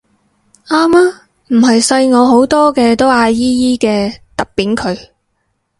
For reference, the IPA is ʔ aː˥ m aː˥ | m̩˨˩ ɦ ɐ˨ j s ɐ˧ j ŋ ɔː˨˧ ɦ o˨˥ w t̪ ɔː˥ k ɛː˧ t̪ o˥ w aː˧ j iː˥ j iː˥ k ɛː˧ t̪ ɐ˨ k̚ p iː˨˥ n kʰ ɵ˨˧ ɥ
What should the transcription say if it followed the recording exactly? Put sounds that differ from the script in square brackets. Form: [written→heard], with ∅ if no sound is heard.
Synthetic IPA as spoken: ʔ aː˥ m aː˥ | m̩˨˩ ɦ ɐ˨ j s ɐ˧ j ŋ ɔː˨˧ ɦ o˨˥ w t̪ ɔː˥ k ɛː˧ t̪ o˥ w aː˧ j iː˥ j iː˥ k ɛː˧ t̪ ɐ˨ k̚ p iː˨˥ n kʰ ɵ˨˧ ɥ